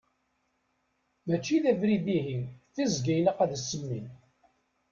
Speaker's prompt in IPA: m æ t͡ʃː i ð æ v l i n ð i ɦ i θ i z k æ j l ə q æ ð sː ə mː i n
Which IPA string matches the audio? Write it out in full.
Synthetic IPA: m æ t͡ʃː i ð æ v ɾ i ð i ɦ i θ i z ɡ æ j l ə q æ ð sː ə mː i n